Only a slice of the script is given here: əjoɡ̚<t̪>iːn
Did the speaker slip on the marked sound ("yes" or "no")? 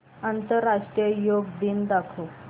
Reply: yes